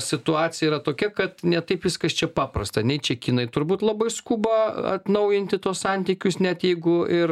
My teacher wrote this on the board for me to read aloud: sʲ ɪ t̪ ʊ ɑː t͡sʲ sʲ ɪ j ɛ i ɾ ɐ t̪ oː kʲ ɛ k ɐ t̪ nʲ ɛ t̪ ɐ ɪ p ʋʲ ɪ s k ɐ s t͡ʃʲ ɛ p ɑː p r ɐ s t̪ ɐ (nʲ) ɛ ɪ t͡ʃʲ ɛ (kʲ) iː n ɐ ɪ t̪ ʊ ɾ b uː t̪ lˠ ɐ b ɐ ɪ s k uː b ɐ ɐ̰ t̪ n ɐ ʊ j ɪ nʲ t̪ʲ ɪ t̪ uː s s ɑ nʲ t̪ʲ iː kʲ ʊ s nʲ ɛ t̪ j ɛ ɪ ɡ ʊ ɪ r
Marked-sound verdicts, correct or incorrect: correct, correct

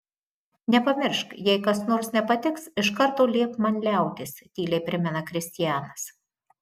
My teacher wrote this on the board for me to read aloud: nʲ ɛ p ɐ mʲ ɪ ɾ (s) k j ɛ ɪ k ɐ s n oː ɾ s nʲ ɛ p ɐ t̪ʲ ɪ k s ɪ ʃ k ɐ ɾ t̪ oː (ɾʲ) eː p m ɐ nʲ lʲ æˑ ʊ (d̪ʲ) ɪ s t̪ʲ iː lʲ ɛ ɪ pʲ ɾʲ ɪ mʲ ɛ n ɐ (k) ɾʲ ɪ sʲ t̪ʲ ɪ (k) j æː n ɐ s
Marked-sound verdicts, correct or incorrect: incorrect: ʃ, incorrect: lʲ, incorrect: t̪ʲ, correct, incorrect: none

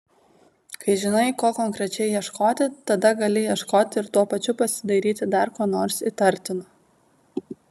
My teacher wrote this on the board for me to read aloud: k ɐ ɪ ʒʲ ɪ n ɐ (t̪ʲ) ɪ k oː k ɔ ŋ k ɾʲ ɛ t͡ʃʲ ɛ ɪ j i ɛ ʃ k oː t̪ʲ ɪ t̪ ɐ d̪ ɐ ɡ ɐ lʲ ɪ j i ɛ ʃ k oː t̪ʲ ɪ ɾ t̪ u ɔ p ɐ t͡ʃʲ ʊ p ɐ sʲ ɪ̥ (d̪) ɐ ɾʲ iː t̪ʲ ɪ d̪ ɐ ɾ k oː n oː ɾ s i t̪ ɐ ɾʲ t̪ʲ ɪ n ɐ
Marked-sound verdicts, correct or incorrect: incorrect: none, correct

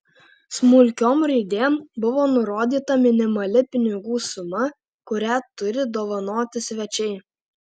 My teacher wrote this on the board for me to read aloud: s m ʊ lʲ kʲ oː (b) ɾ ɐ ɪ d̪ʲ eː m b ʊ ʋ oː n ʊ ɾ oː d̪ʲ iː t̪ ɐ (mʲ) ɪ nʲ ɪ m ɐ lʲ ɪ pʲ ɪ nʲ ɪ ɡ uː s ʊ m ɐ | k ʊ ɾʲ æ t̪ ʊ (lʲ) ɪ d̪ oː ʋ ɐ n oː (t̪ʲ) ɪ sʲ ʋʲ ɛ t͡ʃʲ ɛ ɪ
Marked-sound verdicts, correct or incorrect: incorrect: m, correct, incorrect: ɾʲ, correct

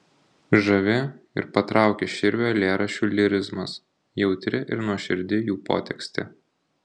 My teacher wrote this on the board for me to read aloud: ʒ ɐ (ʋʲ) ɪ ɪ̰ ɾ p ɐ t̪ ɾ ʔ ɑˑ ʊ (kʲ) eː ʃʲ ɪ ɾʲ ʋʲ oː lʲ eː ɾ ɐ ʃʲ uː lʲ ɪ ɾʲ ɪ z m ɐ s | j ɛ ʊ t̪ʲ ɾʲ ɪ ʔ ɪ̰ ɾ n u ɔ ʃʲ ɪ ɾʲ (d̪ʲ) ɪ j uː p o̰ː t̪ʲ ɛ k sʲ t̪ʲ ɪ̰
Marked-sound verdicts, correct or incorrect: correct, correct, correct

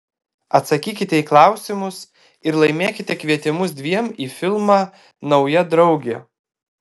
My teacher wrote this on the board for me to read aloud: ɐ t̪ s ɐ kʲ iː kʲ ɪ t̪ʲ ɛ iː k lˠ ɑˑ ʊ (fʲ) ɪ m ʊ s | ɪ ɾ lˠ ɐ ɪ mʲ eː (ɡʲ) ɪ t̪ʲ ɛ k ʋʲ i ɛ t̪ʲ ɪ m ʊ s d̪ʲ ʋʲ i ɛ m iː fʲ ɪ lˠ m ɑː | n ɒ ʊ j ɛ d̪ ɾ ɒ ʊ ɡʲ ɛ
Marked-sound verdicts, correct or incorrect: incorrect: sʲ, incorrect: kʲ

